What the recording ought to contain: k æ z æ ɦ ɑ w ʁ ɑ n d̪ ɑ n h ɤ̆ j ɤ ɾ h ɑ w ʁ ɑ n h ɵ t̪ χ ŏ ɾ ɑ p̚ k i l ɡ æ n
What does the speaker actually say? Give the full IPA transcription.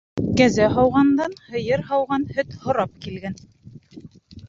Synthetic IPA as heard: k æ z æ ɦ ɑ w ʁ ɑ n d̪ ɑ n h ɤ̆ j ɤ ɾ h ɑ w ʁ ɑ n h ɵ t̪ h ŏ ɾ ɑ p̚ k i l ɡ æ n